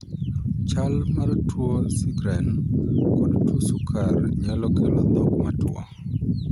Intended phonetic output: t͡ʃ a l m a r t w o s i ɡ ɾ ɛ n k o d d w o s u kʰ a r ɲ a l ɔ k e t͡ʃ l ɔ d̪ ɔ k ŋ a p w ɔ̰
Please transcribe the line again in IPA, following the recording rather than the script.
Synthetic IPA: t͡ʃ a l m a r t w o s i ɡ ɾ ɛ n k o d t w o s u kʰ a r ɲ a l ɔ k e l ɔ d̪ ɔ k m a t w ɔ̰